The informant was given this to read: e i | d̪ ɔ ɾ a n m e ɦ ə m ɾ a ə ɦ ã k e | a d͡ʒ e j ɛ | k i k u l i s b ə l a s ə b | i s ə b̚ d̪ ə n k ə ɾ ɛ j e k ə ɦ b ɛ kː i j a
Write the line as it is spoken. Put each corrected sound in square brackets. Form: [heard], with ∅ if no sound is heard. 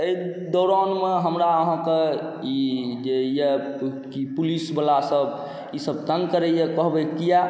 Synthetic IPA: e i | d̪ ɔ ɾ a n m e ɦ ə m ɾ a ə ɦ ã k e | [i] d͡ʒ e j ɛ | k i [p] u l i s b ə l a s ə b | i s ə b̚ [t̪] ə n k ə ɾ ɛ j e k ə ɦ b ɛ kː i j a